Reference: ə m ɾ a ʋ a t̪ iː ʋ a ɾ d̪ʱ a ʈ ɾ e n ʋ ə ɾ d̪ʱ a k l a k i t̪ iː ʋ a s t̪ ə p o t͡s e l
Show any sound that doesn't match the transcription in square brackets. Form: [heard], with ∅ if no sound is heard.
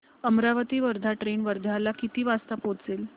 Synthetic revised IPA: ə m ɾ a ʋ [ə] t̪ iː ʋ [ə] ɾ d̪ʱ a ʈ ɾ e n ʋ ə ɾ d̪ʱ a [∅] l a k i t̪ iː ʋ a s t̪ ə p o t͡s e l